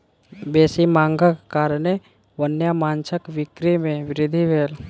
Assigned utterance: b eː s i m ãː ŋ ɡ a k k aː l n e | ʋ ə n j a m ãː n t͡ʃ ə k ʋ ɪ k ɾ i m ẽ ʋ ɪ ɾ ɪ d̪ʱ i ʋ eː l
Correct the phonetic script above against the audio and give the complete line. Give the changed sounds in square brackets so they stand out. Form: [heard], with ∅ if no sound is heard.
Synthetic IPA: b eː s i m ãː ŋ ɡ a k k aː [ɾ] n e | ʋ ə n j a m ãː n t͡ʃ ə k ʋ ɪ k ɾ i m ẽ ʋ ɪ ɾ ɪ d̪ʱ i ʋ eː l